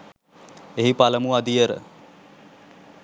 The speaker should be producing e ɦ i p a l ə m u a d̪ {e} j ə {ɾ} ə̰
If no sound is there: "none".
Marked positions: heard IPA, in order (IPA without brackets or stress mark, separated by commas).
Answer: i, ɾ